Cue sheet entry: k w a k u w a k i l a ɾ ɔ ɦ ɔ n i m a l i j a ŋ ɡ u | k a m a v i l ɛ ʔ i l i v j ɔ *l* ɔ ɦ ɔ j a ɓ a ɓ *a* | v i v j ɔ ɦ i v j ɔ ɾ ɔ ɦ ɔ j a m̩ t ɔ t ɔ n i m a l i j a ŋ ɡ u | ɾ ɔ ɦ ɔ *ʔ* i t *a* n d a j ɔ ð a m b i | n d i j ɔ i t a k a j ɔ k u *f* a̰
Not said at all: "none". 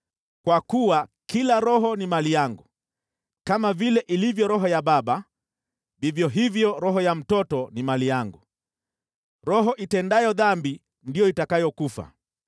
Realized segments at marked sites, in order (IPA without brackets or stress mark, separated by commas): ɾ, a, ʔ, ɛ, f